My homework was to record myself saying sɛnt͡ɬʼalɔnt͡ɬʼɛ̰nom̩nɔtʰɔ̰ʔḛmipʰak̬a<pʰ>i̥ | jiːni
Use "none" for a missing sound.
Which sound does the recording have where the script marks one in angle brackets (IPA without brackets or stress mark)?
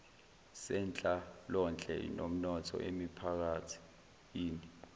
tʰ